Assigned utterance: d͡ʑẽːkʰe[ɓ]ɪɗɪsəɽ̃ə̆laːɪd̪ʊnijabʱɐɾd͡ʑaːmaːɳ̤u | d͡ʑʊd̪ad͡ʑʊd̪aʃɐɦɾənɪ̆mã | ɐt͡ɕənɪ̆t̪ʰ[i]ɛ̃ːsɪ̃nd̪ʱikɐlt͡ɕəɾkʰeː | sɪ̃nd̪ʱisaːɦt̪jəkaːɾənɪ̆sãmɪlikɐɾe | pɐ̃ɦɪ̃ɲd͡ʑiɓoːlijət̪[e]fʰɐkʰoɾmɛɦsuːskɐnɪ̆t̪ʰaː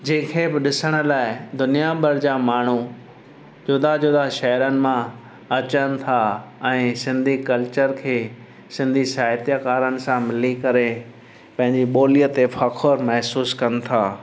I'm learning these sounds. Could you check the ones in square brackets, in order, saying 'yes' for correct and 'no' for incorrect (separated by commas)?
no, no, yes